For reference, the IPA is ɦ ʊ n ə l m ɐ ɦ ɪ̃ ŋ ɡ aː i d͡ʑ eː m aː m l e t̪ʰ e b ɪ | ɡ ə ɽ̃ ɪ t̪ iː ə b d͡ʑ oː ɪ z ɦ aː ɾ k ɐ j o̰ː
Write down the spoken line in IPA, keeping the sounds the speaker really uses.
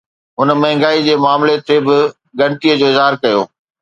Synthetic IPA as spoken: ɦ ʊ n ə m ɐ ɦ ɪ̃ ŋ ɡ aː i d͡ʑ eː m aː m l e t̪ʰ e b ɪ | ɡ ɐ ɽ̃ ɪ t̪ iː ə d͡ʑ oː ɪ z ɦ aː ɾ k ɐ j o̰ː